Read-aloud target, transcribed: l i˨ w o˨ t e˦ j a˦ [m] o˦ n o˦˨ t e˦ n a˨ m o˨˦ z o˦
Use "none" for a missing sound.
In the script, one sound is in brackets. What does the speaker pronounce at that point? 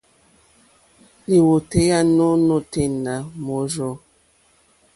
n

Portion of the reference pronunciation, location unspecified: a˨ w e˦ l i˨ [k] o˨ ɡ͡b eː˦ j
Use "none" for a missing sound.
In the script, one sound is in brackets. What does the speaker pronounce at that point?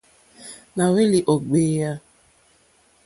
ʔ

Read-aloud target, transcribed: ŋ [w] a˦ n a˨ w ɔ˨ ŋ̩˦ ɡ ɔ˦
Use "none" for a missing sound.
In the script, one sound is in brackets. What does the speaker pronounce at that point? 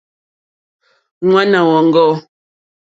w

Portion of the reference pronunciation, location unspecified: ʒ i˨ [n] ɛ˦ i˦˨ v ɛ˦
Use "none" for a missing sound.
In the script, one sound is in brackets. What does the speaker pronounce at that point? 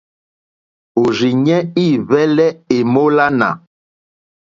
ɲ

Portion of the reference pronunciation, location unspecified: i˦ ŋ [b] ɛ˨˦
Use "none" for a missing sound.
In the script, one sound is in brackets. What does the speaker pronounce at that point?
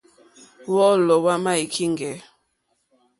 ɡ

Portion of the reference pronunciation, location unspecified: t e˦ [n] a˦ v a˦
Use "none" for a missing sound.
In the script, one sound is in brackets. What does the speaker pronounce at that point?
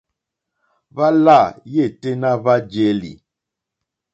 n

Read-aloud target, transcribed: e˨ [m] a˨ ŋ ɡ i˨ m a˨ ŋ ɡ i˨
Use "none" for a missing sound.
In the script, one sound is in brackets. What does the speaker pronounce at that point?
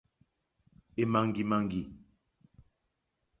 m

